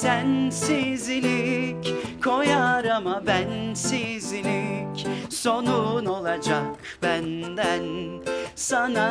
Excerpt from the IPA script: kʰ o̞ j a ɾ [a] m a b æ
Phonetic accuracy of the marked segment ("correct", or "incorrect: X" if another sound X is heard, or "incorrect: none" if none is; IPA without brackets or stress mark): correct